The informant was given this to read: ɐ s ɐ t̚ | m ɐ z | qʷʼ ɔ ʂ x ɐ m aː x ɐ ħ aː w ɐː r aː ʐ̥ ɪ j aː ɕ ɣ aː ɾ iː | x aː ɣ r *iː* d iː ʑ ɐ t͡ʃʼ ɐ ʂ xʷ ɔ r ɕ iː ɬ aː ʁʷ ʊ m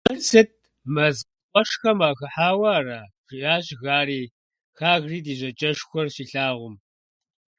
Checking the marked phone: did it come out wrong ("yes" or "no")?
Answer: no